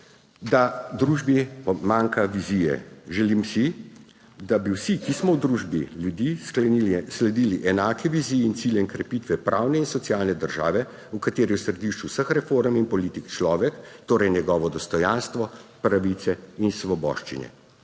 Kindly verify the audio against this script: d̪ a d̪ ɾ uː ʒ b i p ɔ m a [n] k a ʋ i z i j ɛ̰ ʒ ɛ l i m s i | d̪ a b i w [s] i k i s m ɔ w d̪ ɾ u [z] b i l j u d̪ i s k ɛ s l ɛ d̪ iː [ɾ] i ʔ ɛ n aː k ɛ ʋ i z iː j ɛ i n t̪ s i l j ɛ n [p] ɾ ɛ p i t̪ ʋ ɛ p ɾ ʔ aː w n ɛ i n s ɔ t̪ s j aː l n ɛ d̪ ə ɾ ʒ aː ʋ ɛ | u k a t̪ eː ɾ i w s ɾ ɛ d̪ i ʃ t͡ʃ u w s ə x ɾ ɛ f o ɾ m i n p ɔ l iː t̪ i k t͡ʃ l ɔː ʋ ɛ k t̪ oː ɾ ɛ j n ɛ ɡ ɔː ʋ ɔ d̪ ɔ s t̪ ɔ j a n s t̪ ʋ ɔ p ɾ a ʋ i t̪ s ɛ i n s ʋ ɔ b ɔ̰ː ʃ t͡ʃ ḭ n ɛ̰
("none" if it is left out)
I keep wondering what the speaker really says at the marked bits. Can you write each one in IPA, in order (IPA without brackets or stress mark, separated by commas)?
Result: ŋ, s, ʒ, l, k